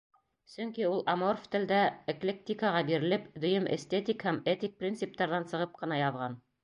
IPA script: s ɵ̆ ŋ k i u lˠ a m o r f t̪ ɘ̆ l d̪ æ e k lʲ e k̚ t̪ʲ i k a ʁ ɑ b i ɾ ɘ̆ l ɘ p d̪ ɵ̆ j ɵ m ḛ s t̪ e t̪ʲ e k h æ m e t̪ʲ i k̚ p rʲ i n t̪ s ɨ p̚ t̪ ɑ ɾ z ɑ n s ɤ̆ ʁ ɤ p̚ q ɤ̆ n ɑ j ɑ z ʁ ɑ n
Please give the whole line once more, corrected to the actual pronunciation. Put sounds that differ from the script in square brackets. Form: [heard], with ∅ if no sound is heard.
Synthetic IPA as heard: s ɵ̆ ŋ k i u lˠ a m o r f t̪ ɘ̆ l d̪ æ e k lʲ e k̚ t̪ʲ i k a ʁ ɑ b i ɾ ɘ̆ l ɘ p d̪ ɵ̆ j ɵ m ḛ s t̪ e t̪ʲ [i] k h æ m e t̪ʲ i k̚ p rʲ i n t̪ s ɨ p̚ t̪ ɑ ɾ [ð] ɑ n s ɤ̆ ʁ ɤ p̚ q ɤ̆ n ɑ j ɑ [ð] ʁ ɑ n